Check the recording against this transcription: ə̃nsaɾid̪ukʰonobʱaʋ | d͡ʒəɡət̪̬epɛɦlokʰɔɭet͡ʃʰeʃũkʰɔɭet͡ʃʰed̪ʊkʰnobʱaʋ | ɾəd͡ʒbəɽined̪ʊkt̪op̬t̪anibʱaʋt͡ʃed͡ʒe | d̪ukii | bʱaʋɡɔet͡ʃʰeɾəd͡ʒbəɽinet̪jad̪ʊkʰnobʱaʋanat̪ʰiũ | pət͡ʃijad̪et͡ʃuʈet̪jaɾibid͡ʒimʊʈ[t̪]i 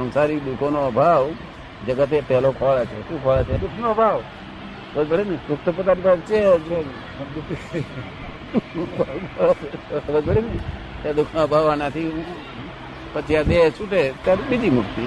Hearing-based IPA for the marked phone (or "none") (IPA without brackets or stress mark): t̪